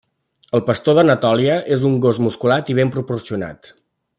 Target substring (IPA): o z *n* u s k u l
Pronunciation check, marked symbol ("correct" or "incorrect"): incorrect